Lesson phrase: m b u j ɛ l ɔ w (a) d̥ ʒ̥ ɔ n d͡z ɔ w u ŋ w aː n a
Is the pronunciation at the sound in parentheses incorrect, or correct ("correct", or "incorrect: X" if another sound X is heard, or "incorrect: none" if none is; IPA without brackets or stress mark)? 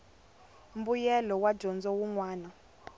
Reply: correct